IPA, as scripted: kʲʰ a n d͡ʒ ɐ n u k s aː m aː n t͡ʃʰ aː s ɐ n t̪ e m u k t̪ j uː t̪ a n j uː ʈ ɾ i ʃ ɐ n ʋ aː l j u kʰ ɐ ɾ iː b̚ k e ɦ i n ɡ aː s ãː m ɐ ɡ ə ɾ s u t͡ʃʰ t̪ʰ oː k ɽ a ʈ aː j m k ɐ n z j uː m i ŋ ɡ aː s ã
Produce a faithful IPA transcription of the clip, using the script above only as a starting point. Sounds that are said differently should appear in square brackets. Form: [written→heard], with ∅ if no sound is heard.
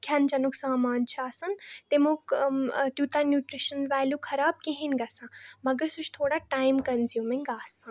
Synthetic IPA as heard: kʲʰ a n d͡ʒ ɐ n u k s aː m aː n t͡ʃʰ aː s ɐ n t̪ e m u k t̪ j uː t̪ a n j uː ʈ ɾ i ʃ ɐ n ʋ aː l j u kʰ ɐ ɾ [iː→aː] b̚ k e ɦ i n ɡ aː s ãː m ɐ ɡ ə ɾ s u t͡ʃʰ t̪ʰ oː [k→∅] ɽ a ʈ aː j m k ɐ n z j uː m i ŋ ɡ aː s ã